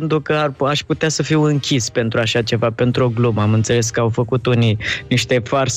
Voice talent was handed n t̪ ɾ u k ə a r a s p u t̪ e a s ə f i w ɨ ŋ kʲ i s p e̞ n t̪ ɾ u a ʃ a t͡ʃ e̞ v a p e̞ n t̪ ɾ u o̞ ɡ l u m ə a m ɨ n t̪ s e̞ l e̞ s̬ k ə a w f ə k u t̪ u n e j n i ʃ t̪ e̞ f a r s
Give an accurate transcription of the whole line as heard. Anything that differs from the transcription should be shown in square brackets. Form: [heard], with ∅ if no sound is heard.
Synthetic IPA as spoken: n t̪ ɾ u k ə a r a [ʃ] p u t̪ e a s ə f i w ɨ ŋ kʲ i s p e̞ n t̪ ɾ u a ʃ a t͡ʃ e̞ v a p e̞ n t̪ ɾ u o̞ ɡ l u m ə a m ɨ n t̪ s e̞ l e̞ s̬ k ə a w f ə k u t̪ u n [i] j n i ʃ t̪ e̞ f a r s